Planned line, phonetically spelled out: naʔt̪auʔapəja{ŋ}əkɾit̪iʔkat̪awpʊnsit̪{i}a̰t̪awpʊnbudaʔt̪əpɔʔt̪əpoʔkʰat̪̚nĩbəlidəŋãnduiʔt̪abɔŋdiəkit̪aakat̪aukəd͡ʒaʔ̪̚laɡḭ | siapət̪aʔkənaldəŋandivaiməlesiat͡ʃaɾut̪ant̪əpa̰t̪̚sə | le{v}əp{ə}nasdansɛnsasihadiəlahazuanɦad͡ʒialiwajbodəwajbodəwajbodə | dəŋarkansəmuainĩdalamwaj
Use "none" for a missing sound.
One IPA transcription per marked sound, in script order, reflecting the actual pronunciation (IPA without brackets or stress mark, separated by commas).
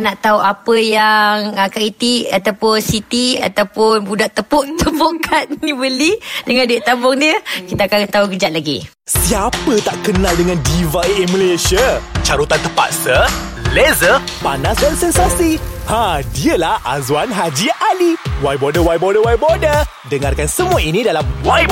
ŋ, i, z, a